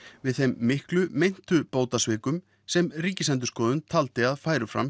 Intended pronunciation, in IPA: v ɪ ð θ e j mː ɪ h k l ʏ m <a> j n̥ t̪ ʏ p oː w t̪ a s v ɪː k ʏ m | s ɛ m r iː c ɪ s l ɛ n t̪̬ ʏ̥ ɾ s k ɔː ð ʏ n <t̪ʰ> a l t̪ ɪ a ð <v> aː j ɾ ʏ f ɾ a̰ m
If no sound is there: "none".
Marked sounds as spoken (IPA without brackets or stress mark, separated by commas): e, t̪ʰ, f